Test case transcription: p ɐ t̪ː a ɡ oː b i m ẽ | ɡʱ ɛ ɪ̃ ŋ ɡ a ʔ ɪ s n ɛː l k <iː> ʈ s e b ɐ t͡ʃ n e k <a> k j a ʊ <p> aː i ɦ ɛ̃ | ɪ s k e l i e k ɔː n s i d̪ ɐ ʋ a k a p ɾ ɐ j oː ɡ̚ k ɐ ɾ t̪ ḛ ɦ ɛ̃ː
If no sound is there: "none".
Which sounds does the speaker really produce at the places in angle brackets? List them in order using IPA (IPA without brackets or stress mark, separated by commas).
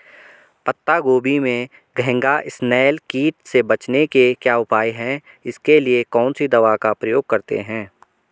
iː, e, p